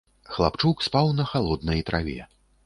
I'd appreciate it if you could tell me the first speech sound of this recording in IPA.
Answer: x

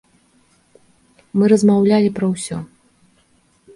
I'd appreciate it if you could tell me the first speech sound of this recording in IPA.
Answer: m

